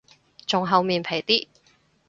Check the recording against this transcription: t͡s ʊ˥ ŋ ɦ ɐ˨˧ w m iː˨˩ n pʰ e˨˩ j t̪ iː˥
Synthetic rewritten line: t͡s ʊ˨ ŋ ɦ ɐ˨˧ w m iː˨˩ n pʰ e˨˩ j t̪ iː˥